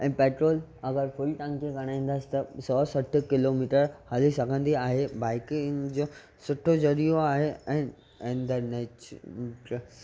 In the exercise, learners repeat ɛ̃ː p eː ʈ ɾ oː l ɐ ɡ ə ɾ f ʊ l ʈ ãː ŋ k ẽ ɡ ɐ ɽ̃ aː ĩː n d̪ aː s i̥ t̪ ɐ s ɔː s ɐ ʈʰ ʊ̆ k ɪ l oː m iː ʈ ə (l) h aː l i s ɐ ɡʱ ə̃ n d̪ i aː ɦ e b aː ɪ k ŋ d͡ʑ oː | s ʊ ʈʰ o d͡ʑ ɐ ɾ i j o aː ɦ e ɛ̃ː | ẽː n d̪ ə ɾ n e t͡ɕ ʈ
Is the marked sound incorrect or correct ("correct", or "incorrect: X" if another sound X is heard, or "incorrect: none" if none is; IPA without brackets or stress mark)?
incorrect: ɾ